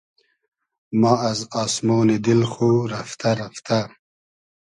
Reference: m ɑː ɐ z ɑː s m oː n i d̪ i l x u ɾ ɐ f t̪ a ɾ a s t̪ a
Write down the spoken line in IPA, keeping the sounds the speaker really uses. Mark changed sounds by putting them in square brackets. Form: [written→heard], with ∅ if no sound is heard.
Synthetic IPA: m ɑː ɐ z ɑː s m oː n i d̪ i l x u ɾ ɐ f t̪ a ɾ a [s→f] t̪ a